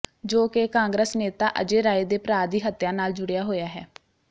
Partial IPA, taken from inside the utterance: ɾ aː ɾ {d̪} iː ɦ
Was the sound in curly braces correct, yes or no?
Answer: yes